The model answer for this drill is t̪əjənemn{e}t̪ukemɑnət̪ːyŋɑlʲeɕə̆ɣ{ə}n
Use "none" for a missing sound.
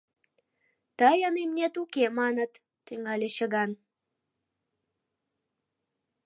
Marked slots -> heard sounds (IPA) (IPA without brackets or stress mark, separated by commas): e, ɑ